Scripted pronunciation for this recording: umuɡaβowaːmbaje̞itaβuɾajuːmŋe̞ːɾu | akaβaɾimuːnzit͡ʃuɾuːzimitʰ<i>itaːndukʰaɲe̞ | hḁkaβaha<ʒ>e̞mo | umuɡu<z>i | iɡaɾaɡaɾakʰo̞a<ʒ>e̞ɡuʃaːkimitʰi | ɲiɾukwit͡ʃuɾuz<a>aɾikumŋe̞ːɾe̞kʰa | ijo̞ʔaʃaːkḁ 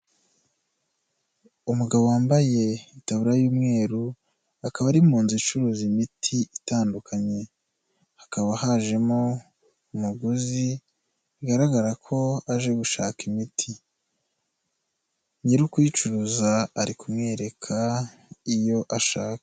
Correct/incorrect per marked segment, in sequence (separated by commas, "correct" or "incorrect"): correct, correct, correct, correct, correct